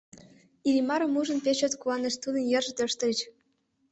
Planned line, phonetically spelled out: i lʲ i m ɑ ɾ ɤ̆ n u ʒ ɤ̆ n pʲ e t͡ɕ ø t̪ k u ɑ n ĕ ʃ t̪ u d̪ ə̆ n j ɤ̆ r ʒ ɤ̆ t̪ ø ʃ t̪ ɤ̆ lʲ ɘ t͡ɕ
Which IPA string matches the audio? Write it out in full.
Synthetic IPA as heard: i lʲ i m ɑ ɾ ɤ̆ m u ʒ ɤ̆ n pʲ e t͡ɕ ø t̪ k u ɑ n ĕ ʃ t̪ u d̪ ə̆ n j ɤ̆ r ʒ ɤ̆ t̪ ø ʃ t̪ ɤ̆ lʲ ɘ t͡ɕ